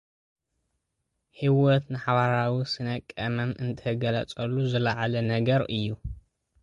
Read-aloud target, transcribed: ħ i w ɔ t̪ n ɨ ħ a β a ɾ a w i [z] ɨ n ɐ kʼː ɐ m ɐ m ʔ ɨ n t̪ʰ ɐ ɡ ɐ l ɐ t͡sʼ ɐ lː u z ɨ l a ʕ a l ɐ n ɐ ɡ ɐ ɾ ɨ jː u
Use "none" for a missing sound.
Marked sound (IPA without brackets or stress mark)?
s